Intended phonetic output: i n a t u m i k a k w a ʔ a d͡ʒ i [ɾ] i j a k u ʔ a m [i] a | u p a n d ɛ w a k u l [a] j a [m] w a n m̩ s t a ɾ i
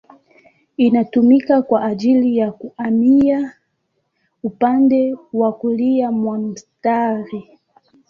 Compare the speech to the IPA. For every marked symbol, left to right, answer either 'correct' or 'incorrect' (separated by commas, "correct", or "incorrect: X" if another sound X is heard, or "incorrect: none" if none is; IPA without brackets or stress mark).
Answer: incorrect: l, correct, incorrect: i, correct